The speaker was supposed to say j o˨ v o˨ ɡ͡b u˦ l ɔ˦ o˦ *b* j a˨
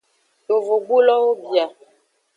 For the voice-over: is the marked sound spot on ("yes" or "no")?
yes